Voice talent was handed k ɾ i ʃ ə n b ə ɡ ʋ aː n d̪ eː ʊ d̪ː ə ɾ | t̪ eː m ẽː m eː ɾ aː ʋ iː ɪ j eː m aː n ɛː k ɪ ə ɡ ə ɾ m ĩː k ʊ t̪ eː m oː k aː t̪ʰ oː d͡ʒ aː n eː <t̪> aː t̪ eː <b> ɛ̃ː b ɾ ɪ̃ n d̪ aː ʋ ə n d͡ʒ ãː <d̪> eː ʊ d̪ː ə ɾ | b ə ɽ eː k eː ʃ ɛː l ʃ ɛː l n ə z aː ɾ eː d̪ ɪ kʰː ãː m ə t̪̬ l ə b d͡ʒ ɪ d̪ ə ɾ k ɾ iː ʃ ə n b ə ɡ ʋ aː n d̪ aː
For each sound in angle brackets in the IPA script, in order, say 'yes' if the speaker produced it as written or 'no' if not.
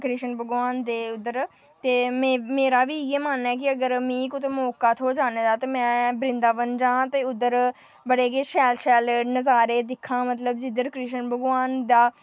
no, no, no

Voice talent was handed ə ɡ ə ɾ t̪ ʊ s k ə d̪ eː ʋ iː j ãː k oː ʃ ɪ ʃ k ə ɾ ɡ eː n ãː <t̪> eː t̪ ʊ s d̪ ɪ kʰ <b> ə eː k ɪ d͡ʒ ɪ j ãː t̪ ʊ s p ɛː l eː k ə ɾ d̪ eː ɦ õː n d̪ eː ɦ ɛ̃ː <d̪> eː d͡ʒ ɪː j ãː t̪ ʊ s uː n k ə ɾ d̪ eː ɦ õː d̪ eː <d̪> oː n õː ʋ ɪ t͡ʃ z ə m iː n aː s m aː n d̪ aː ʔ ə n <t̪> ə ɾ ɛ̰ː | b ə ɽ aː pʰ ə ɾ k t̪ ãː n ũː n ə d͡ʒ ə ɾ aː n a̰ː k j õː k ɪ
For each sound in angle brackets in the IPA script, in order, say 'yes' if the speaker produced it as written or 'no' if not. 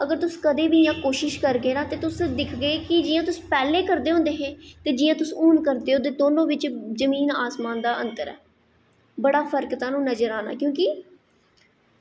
yes, no, no, yes, yes

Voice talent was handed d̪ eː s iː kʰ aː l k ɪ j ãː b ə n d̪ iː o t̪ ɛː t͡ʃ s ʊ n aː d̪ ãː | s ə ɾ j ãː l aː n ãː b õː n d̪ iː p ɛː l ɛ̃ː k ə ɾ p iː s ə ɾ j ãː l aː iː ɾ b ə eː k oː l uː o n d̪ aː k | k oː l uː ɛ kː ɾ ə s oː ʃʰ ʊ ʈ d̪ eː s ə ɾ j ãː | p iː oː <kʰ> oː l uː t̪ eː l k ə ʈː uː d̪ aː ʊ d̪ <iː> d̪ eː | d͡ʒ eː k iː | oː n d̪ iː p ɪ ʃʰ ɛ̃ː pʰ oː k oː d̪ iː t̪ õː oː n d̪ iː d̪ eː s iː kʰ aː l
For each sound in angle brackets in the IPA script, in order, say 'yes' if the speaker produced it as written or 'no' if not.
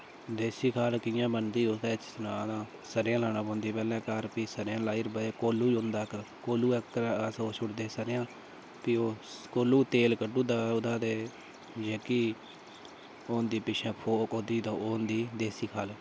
no, no

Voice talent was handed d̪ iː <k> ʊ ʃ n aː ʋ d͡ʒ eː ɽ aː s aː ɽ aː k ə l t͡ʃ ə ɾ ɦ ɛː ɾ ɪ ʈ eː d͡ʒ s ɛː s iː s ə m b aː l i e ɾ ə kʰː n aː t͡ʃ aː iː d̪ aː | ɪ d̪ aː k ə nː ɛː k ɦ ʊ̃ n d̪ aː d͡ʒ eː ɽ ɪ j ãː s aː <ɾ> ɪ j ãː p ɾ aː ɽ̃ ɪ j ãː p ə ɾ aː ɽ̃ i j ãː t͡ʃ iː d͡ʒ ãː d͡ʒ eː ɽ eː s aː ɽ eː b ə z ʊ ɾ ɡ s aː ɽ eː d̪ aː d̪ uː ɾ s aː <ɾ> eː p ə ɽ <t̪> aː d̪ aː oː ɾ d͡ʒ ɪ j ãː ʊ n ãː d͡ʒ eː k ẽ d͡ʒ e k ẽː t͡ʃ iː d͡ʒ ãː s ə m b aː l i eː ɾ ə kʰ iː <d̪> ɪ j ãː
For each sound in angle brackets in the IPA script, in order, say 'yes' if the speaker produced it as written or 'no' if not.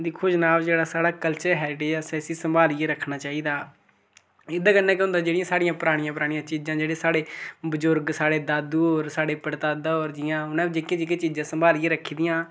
no, no, no, yes, yes

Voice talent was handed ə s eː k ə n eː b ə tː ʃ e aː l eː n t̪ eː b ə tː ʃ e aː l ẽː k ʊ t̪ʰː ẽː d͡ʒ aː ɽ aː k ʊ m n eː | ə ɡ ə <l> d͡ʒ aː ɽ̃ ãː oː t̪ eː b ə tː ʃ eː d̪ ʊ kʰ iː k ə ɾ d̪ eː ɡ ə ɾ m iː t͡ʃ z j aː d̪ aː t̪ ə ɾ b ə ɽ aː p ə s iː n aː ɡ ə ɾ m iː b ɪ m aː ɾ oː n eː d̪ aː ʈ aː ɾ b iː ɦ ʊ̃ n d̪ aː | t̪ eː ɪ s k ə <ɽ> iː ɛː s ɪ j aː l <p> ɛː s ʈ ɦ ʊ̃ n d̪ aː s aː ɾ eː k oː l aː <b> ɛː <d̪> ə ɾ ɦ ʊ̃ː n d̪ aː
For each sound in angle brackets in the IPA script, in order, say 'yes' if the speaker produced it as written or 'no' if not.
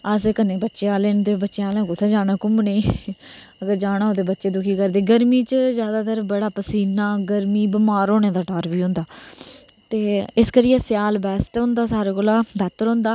no, no, no, yes, no

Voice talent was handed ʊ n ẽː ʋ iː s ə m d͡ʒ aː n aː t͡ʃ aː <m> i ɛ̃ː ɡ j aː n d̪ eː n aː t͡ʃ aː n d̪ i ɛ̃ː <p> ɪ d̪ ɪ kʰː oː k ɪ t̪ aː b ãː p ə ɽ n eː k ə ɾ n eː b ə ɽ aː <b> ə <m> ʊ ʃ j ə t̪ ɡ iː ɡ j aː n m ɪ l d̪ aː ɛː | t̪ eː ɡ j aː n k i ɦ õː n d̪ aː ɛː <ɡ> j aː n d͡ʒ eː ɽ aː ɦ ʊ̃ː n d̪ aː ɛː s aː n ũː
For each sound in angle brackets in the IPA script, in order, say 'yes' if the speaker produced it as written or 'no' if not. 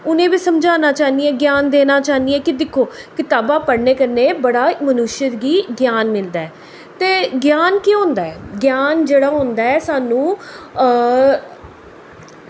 no, no, no, no, yes

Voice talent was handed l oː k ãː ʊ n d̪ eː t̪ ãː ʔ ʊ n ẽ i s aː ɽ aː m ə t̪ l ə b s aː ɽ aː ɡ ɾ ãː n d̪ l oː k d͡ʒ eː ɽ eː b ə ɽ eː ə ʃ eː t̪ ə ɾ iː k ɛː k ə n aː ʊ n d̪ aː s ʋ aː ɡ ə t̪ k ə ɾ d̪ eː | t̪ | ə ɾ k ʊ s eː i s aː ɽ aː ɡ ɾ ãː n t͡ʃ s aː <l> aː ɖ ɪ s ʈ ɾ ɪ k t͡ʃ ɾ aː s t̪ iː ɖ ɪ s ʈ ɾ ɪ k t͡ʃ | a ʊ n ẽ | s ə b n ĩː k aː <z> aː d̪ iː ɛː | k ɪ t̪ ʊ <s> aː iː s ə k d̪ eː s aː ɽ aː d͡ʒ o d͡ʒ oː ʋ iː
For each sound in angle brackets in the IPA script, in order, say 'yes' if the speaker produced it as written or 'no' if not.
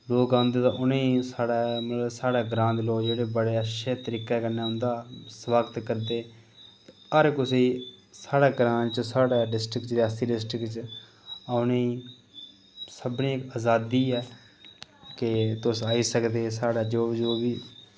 no, yes, yes

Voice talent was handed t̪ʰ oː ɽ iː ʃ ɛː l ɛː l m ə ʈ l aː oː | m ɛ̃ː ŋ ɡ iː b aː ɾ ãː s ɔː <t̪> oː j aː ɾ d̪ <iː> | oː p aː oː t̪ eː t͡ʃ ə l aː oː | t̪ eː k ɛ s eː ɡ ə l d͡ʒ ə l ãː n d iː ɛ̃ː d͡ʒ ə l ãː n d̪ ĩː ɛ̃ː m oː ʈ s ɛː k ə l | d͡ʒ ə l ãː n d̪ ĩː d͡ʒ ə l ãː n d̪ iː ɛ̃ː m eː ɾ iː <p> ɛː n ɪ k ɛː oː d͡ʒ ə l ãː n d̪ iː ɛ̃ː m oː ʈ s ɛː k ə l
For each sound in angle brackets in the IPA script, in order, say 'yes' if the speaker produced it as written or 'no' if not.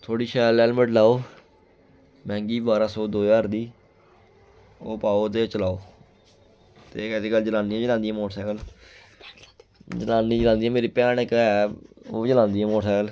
no, yes, yes

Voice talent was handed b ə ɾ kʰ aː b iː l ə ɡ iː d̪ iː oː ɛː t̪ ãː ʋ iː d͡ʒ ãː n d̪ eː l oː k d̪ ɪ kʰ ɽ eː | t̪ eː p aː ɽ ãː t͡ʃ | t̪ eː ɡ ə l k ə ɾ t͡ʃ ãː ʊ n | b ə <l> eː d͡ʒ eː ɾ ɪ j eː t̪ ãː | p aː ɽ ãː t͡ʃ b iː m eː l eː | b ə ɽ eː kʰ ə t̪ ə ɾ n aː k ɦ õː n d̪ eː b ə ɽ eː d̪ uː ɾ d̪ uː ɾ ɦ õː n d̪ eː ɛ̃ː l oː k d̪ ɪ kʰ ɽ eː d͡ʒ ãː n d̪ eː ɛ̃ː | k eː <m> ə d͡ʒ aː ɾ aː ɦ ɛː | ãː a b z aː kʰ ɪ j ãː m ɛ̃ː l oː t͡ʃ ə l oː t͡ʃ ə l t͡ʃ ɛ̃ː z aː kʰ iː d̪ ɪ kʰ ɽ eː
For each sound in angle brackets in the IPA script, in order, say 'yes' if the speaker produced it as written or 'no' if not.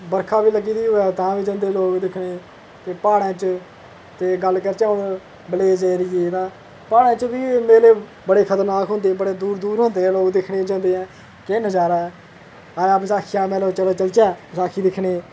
yes, no

